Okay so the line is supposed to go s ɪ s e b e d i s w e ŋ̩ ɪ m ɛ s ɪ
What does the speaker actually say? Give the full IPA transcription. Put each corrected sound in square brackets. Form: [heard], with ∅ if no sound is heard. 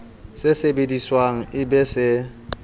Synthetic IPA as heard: s ɪ s e b e d i s w [a] ŋ̩ ɪ [b] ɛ s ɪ